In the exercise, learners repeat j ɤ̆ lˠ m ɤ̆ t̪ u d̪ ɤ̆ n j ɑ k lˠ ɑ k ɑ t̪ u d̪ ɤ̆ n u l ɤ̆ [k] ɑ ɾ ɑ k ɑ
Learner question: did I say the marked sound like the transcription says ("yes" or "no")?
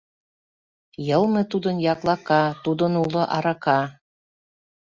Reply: no